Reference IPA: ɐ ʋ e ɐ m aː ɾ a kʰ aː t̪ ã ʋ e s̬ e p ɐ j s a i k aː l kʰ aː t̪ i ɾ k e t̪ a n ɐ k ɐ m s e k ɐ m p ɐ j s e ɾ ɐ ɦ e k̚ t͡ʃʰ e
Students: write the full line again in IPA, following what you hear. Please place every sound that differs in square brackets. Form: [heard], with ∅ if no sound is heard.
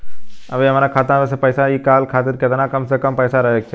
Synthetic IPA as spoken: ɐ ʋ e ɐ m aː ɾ a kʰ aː t̪ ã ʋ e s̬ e p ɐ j s a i k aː l kʰ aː t̪ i ɾ k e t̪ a n [a] k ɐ m s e k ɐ m p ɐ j s [a] ɾ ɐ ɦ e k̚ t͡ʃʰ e